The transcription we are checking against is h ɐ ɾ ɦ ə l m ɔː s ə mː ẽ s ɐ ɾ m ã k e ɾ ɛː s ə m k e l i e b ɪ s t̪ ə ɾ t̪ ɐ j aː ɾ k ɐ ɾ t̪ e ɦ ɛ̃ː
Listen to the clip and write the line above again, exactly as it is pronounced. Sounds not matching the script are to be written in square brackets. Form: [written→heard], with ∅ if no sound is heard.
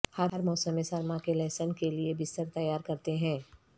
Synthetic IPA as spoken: h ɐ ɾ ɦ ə [l→ɾ] m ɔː s ə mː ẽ s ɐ ɾ m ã k e [ɾ→l] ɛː s ə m k e l i e b ɪ s t̪ ə ɾ t̪ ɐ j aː ɾ k ɐ ɾ t̪ e ɦ ɛ̃ː